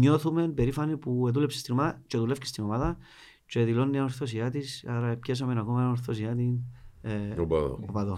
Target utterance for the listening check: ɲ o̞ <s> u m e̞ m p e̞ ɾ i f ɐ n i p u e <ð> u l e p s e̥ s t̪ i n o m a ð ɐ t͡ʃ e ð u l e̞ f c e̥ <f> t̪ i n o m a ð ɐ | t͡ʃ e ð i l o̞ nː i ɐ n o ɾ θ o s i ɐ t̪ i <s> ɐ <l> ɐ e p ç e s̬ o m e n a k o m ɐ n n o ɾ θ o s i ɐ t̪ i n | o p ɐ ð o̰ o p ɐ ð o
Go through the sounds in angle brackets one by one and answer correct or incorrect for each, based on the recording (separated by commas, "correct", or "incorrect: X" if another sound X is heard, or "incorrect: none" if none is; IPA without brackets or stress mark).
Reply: incorrect: θ, correct, incorrect: s, correct, incorrect: ɾ